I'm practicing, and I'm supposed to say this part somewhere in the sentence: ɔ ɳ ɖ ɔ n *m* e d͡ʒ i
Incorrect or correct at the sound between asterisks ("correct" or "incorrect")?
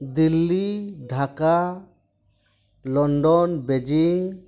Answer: incorrect